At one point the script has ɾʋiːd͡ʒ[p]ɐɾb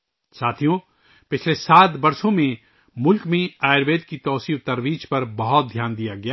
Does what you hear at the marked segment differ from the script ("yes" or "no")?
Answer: no